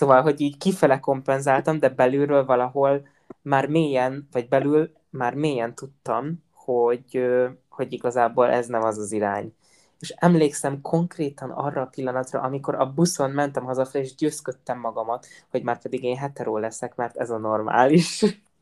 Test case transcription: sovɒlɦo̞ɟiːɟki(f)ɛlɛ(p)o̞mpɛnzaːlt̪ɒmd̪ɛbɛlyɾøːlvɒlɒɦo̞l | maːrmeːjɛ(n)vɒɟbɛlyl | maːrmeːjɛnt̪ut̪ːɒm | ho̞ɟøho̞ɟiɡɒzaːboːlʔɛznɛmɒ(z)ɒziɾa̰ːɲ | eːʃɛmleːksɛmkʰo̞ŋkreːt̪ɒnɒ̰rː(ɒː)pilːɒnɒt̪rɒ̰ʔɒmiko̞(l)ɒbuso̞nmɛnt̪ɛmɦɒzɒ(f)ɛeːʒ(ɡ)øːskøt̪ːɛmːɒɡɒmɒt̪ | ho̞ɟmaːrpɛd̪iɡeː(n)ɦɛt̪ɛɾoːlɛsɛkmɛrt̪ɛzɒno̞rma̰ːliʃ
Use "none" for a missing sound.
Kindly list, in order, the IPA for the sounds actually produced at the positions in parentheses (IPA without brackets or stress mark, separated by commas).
f, k, n, z, ɒː, ɾ, f, ɟ, n